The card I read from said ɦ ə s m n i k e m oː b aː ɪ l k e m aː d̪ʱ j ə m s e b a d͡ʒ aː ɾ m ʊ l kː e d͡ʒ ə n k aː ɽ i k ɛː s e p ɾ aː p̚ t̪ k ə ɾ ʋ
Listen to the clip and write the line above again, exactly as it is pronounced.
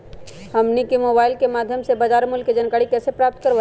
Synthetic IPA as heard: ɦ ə m n i k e m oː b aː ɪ l k e m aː d̪ʱ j ə m s e b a d͡ʒ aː ɾ m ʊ l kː e d͡ʒ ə n k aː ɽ i k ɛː s e p ɾ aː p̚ t̪ k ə ɾ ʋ